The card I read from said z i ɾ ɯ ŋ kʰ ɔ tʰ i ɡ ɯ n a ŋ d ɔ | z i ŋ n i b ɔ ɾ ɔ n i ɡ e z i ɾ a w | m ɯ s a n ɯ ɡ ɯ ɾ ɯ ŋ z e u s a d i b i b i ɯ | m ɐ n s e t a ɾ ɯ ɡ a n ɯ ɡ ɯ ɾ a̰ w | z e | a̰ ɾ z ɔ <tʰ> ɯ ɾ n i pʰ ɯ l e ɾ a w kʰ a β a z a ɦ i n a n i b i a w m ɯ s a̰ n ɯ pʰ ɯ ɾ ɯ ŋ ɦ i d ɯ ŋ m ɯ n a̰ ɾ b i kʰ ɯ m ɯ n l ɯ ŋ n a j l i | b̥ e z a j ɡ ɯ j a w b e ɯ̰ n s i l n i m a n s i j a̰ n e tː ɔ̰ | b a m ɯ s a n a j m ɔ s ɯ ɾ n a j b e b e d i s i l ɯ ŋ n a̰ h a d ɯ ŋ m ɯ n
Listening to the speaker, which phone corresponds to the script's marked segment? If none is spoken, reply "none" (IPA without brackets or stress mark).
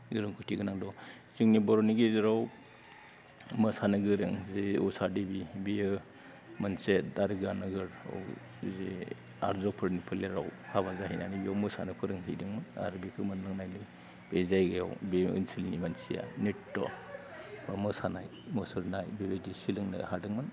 pʰ